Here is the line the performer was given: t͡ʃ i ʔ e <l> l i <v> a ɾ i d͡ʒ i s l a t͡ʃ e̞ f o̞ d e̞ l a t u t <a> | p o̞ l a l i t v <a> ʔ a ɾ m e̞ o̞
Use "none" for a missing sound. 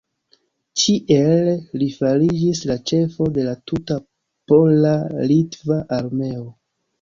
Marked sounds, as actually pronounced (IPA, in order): l, f, a, a

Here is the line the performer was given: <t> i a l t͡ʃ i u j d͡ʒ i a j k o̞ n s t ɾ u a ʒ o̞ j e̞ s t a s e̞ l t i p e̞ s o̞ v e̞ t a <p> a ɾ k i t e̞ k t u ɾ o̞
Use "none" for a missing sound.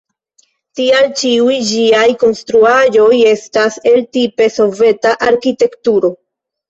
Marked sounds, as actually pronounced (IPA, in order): t, ʔ

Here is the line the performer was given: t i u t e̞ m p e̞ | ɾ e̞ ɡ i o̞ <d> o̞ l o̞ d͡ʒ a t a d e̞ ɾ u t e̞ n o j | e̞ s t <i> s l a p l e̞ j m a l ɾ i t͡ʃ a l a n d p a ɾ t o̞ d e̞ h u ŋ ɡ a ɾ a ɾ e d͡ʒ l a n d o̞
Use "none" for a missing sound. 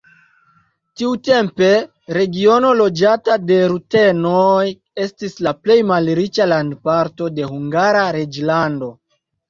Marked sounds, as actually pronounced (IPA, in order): n, i

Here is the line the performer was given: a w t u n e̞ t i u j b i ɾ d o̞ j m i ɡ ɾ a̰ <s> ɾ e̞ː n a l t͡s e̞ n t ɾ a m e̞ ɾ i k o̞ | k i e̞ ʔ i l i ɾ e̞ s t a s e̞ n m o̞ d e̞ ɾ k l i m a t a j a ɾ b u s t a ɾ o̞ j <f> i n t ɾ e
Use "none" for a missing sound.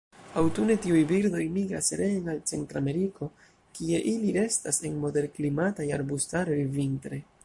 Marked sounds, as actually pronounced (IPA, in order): s, v

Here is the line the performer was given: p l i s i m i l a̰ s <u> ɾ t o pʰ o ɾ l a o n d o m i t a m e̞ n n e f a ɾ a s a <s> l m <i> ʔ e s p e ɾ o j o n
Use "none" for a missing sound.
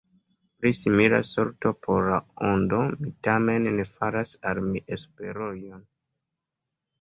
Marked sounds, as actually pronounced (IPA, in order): o, none, i

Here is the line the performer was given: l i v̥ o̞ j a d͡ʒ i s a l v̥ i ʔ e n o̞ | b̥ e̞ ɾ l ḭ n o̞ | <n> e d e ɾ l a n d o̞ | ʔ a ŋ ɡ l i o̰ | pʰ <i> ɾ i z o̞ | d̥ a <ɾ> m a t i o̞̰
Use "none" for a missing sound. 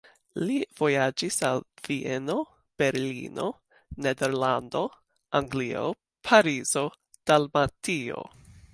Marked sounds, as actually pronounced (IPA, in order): n, a, l

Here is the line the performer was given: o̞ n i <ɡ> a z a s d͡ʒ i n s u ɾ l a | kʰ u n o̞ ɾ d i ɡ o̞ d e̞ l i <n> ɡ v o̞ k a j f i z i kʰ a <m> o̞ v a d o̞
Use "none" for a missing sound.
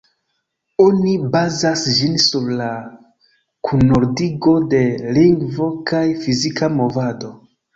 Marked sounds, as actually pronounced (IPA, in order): b, ŋ, m

